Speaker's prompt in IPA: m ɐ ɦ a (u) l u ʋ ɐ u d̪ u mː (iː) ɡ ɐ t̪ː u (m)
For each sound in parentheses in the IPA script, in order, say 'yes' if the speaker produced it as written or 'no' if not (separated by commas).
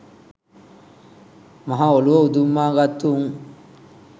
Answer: no, no, no